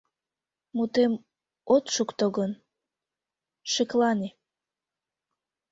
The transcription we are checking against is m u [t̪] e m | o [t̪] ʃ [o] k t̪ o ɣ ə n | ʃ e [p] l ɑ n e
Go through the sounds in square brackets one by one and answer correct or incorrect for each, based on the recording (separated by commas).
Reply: correct, correct, incorrect, incorrect